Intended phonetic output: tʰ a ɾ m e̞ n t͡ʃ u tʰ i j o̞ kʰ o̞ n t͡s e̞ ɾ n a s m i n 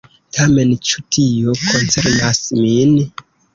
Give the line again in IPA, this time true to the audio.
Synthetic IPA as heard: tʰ a m e̞ n t͡ʃ u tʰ i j o̞ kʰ o̞ n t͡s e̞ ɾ n a s m i n

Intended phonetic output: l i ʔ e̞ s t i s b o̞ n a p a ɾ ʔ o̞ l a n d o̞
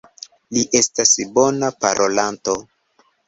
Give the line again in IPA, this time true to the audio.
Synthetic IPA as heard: l i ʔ e̞ s t a s b o̞ n a p a ɾ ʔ o̞ l a n t o̞

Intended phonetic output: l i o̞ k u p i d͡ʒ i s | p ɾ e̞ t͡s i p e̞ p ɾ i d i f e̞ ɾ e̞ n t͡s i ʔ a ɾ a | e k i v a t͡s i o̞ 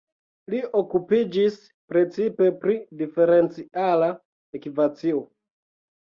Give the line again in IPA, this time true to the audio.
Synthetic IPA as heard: l i o̞ k u p i d͡ʒ i s | p ɾ e̞ t͡s i p e̞ p ɾ i d i f e̞ ɾ e̞ n t͡s i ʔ a l a | e k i v a t͡s i o̞

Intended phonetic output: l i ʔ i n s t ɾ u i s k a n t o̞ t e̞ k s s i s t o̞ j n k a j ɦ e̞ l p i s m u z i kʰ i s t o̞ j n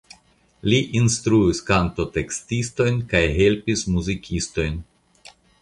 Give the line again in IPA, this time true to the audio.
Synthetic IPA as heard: l i ʔ i n s t ɾ u i s k a n t o̞ t e̞ k s t i s t o̞ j n k a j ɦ e̞ l p i s m u z i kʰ i s t o̞ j n

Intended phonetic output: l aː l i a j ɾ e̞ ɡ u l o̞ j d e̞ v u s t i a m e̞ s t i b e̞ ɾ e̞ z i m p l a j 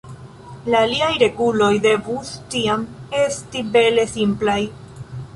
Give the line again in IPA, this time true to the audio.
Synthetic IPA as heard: l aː l i a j ɾ e̞ ɡ u l o̞ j d e̞ v u s t i a m e̞ s t i b e̞ l e̞ s i m p l a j

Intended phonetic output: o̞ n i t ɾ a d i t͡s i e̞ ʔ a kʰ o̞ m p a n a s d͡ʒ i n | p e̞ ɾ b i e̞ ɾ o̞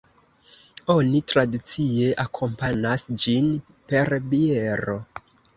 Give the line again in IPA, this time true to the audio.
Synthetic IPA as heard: o̞ n i t ɾ a d i t͡s i e̞ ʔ a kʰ o̞ m p a n a s d͡ʒ i n | p e̞ ɾ b i e̞ ɾ o̞

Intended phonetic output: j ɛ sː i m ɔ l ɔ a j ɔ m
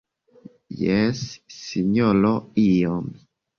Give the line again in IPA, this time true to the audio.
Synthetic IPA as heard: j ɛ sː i ɲ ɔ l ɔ i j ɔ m

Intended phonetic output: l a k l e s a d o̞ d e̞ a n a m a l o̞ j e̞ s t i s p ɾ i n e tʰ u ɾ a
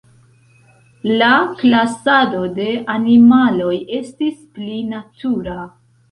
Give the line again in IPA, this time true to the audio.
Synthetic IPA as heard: l a k l a s a d o̞ d e̞ a n i m a l o̞ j e̞ s t i s p l i n a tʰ u ɾ a

